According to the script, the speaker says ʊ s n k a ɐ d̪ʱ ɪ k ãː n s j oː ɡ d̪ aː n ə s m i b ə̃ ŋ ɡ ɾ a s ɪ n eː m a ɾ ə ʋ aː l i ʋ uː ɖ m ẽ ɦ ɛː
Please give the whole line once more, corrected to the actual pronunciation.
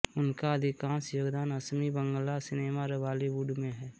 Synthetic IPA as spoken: ʊ n k a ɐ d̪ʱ ɪ k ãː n s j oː ɡ d̪ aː n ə s m i b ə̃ ŋ ɡ l a s ɪ n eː m a ɾ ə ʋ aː l i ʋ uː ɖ m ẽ ɦ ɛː

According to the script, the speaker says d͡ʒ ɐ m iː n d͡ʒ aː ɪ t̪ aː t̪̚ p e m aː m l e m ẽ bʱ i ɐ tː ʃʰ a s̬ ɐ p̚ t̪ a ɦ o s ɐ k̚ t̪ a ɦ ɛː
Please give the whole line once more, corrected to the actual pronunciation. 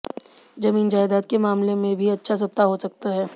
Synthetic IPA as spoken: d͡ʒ ɐ m iː n d͡ʒ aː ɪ d̪ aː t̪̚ k e m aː m l e m ẽ bʱ i ɐ tː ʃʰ a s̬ ɐ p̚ t̪ a ɦ o s ɐ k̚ t̪ a ɦ ɛː

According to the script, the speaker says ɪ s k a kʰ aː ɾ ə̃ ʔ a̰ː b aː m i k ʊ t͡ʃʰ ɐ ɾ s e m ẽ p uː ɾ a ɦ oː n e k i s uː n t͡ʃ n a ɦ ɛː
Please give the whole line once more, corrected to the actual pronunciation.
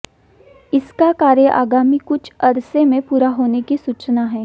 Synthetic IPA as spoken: ɪ s k a k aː ɾ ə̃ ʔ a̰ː ɡ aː m i k ʊ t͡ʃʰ ɐ ɾ s e m ẽ p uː ɾ a ɦ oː n e k i s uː t͡ʃ n a ɦ ɛː

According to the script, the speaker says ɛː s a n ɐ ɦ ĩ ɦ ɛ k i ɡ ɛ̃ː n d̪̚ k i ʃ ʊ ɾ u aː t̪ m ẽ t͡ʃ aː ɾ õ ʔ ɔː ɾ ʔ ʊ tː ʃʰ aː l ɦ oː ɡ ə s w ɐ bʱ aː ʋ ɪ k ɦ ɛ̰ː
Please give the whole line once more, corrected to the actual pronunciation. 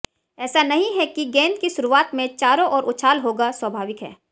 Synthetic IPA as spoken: ɛː s a n ɐ ɦ ĩ ɦ ɛ k i ɡ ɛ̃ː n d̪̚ k i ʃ ʊ ɾ u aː t̪ m ẽ t͡ʃ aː ɾ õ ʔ ɔː ɾ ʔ ʊ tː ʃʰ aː l ɦ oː ɡ a s w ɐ bʱ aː ʋ ɪ k ɦ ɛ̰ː

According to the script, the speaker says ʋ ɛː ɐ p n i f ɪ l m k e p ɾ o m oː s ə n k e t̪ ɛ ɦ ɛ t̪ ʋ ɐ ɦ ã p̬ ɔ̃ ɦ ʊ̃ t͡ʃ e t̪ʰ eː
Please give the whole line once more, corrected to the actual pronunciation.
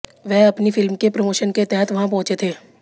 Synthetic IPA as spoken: ʋ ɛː ɐ p n i f ɪ l m k e p ɾ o m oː ʃ ə n k e t̪ ɛ ɦ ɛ t̪ ʋ ɐ ɦ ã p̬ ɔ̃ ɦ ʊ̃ t͡ʃ e t̪ʰ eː

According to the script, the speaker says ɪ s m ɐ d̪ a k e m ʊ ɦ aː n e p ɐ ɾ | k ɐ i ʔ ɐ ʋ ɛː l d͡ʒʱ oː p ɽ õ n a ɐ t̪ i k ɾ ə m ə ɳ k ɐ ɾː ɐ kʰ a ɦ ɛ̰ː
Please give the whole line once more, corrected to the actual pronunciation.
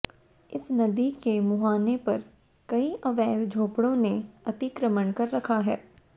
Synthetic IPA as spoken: ɪ s n ɐ d̪ i k e m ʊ ɦ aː n e p ɐ ɾ | k ɐ i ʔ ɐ ʋ ɛː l d͡ʒʱ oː p ɽ õ n e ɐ t̪ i k ɾ ə m ə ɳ k ɐ ɾː ɐ kʰ a ɦ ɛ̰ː

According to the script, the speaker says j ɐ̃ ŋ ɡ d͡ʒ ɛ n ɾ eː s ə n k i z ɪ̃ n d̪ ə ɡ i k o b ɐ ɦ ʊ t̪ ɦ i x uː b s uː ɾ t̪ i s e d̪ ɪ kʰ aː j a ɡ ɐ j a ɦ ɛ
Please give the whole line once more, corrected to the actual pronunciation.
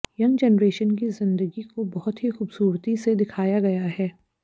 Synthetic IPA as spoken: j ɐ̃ ŋ ɡ d͡ʒ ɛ n ɾ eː ʃ ə n k i z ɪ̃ n d̪ ə ɡ i k o b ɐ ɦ ʊ t̪ ɦ i x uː b s uː ɾ t̪ i s e d̪ ɪ kʰ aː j a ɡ ɐ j a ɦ ɛː

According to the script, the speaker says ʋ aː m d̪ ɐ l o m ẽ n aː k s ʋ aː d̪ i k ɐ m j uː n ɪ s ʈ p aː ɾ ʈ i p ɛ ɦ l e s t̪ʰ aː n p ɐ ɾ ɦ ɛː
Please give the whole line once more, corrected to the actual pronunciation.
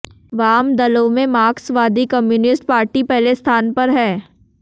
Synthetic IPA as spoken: ʋ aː m d̪ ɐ l o m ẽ m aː k s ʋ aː d̪ i k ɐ m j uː n ɪ s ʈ p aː ɾ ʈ i p ɛ ɦ l e s t̪ʰ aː n p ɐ ɾ ɦ ɛː

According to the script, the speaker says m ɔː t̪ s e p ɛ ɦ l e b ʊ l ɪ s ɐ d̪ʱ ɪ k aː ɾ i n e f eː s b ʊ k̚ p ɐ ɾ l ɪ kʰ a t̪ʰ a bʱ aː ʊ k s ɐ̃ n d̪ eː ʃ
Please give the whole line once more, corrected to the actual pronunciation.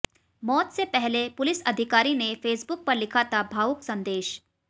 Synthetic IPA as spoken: m ɔː t̪ s e p ɛ ɦ l e p ʊ l ɪ s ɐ d̪ʱ ɪ k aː ɾ i n e f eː s b ʊ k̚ p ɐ ɾ l ɪ kʰ a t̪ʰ a bʱ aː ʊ k s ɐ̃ n d̪ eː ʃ

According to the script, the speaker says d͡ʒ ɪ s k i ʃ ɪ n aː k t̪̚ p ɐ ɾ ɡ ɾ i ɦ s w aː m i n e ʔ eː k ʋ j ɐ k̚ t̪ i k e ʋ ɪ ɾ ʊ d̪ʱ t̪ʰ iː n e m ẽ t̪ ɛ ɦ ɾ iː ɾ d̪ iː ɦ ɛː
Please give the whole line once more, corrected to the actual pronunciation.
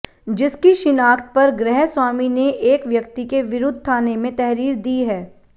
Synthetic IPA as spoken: d͡ʒ ɪ s k i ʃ ɪ n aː k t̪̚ p ɐ ɾ ɡ ɾ ɛ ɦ s w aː m i n e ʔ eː k ʋ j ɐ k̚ t̪ i k e ʋ ɪ ɾ ʊ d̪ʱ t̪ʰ aː n e m ẽ t̪ ɛ ɦ ɾ iː ɾ d̪ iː ɦ ɛː

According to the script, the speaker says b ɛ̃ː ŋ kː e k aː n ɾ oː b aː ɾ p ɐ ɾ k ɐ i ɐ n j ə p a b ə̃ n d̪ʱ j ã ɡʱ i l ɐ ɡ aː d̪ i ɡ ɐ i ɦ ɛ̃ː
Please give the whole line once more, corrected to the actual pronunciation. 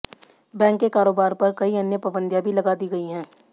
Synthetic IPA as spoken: b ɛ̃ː ŋ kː e k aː ɾ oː b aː ɾ p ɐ ɾ k ɐ i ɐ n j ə p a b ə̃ n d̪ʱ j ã bʱ i l ɐ ɡ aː d̪ i ɡ ɐ i ɦ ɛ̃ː

